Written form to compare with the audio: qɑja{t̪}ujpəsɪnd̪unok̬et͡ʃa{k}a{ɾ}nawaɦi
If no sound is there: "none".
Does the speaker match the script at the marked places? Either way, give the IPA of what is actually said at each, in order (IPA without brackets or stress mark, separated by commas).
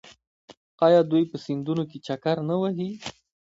d̪, k, ɾ